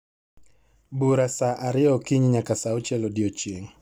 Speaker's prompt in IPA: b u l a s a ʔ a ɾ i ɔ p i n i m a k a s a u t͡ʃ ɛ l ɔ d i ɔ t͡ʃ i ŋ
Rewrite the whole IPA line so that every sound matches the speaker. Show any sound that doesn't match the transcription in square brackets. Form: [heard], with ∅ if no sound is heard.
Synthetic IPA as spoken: b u [ɾ] a s a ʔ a ɾ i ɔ [k] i [ɲ] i [ɲ] a k a s a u t͡ʃ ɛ l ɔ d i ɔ t͡ʃ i ŋ